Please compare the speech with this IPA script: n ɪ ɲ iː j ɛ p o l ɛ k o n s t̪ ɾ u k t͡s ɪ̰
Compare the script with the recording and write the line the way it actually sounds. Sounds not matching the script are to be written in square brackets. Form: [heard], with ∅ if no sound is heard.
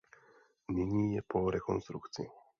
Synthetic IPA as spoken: n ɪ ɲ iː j ɛ p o [ɾ] ɛ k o n s t̪ ɾ u k t͡s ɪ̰

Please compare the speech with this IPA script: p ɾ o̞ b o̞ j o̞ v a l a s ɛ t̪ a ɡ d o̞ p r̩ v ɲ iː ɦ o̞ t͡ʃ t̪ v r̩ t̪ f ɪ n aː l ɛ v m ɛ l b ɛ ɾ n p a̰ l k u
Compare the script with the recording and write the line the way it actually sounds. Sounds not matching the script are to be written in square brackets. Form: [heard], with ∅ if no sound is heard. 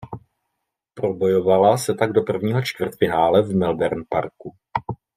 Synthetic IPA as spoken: p ɾ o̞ b o̞ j o̞ v a l a s ɛ t̪ a ɡ d o̞ p r̩ v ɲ iː ɦ o̞ t͡ʃ t̪ v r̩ t̪ f ɪ n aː l ɛ v m ɛ l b ɛ ɾ n p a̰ [ɾ] k u

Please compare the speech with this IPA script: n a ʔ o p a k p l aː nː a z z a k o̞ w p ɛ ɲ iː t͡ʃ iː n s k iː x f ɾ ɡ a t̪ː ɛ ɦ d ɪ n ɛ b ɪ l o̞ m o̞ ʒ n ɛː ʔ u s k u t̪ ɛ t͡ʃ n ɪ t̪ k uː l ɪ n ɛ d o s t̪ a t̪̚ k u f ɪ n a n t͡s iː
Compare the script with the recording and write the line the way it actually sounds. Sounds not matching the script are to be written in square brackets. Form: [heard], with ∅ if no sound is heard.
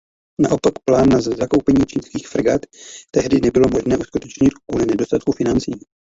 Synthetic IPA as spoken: n a ʔ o p a k p l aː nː a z z a k o̞ w p ɛ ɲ iː t͡ʃ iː n s k iː x f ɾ ɡ a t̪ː ɛ ɦ d ɪ n ɛ b ɪ l o̞ m o̞ ʒ n ɛː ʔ u s k u t̪ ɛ t͡ʃ [ɲ] ɪ t̪ k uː l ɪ n ɛ d o s t̪ a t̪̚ k u f ɪ n a n t͡s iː

